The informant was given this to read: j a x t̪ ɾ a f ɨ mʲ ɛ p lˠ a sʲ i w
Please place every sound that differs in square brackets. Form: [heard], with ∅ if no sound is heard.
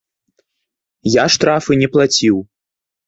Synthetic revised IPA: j a [ʂ] t̪ ɾ a f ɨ [nʲ] ɛ p lˠ a [t͡sʲ] i w